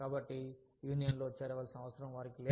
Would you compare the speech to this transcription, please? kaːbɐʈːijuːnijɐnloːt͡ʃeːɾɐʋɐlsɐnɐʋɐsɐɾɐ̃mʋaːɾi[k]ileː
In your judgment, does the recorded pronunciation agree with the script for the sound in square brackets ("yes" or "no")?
yes